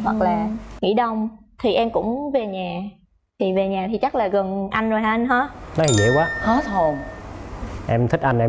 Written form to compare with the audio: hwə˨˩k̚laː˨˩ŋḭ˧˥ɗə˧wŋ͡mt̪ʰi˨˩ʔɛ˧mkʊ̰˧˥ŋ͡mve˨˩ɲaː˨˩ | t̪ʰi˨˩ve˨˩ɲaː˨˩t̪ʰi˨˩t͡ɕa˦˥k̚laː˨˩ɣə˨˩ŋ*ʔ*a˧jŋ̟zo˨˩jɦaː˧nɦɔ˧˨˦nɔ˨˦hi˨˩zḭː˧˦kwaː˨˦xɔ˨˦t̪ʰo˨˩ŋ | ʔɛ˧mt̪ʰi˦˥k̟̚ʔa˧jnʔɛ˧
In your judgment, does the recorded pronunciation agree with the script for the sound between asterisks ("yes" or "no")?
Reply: yes